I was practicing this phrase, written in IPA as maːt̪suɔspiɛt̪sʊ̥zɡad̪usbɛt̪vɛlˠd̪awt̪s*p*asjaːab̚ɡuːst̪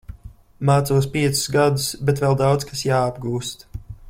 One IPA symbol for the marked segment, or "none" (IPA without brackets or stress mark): k